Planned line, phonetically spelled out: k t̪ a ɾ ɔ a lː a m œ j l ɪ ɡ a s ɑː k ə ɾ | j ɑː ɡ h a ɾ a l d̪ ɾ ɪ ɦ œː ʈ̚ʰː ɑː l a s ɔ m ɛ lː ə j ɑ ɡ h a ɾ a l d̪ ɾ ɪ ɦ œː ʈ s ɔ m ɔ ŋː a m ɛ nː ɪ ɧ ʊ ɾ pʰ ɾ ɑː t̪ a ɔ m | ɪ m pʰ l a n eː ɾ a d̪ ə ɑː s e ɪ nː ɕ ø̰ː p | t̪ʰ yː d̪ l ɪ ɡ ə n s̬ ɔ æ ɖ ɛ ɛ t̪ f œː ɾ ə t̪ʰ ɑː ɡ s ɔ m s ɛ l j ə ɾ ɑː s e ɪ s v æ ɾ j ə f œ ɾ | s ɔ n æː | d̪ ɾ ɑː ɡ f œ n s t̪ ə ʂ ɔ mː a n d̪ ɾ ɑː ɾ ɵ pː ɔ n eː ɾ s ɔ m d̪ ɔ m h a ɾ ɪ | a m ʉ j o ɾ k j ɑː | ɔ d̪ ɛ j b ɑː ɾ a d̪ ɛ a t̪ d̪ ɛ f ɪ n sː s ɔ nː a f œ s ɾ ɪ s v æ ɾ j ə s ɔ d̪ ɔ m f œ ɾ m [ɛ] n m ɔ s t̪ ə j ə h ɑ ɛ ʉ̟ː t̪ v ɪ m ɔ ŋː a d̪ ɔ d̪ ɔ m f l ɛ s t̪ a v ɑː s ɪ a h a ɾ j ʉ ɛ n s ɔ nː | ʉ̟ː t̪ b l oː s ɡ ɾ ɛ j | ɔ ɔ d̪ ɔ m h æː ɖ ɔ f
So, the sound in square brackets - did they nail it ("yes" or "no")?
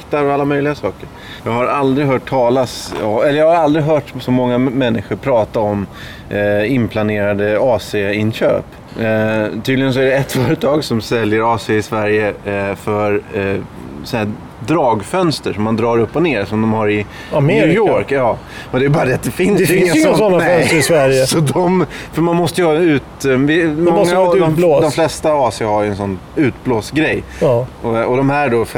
no